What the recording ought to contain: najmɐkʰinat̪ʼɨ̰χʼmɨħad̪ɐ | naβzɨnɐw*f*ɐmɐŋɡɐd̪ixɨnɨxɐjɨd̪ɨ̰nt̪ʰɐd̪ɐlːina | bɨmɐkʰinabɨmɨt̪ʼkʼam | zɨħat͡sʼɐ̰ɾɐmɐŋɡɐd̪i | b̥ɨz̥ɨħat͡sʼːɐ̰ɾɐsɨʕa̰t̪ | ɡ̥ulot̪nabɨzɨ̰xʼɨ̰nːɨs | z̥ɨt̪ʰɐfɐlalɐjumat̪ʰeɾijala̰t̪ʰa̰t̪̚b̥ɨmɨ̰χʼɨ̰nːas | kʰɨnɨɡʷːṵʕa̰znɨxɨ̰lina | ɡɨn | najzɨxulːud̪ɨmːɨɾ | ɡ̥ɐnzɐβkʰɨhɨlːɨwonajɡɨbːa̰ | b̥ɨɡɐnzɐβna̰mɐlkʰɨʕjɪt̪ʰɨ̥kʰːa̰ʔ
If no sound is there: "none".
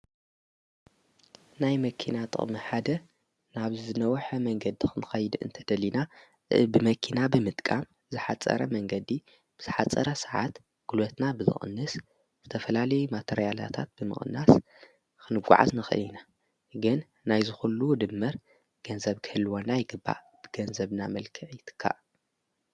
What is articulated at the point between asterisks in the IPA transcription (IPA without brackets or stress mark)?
ħ